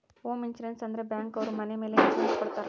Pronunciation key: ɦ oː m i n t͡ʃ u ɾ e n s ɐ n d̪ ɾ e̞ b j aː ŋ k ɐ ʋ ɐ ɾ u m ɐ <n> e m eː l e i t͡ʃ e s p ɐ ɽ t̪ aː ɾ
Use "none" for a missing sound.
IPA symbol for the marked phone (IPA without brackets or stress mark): n